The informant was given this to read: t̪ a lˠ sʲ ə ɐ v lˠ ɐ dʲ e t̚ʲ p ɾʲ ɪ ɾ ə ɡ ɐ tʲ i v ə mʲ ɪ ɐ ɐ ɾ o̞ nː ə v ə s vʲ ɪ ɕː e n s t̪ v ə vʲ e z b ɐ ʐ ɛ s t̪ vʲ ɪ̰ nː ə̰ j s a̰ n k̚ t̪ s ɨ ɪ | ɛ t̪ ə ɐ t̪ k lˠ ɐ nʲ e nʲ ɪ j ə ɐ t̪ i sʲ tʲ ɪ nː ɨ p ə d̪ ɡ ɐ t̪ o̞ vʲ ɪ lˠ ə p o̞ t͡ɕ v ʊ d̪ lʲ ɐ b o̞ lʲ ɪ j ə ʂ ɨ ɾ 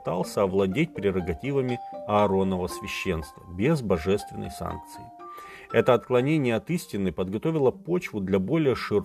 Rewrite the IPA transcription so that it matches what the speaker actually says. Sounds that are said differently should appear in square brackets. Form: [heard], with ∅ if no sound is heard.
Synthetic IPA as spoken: t̪ a lˠ sʲ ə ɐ v lˠ ɐ dʲ e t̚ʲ p ɾʲ ɪ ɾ ə ɡ ɐ tʲ i v ə mʲ ɪ ɐ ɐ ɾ o̞ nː ə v ə s vʲ ɪ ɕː e n s t̪ v ə [bʲ] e z b ɐ ʐ ɛ s t̪ vʲ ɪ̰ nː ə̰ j s a̰ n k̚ t̪ s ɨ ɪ | ɛ t̪ ə ɐ t̪ k lˠ ɐ nʲ e nʲ ɪ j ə ɐ t̪ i sʲ tʲ ɪ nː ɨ p ə d̪ ɡ ɐ t̪ o̞ vʲ ɪ lˠ ə p o̞ t͡ɕ v ʊ d̪ lʲ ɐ b o̞ lʲ ɪ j ə ʂ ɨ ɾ